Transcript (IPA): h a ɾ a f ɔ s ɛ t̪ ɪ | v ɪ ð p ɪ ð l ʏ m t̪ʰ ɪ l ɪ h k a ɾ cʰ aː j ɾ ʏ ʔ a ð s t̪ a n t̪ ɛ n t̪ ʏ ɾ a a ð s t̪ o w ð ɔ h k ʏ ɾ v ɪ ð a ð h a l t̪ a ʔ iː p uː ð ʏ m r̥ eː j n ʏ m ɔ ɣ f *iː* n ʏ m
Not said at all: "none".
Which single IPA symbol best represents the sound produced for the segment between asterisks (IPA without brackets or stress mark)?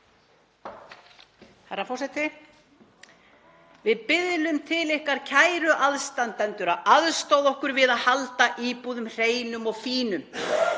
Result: iː